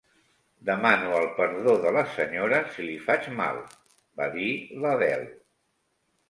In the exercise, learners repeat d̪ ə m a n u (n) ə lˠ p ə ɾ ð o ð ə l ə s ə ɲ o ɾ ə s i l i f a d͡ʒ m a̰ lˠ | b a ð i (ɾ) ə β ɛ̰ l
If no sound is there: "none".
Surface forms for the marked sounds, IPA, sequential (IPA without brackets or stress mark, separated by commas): none, l